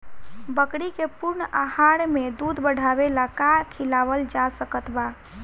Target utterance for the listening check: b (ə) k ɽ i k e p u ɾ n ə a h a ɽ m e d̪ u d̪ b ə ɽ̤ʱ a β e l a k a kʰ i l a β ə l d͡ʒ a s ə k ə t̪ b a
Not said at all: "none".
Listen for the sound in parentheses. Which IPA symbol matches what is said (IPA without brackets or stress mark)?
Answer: ə